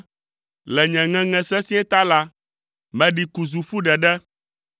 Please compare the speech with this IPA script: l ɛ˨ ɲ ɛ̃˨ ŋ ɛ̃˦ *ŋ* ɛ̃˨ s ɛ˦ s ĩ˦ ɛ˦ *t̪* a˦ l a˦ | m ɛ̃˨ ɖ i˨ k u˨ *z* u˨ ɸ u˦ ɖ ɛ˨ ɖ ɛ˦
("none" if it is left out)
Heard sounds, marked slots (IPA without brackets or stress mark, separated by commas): ŋ, t̪, z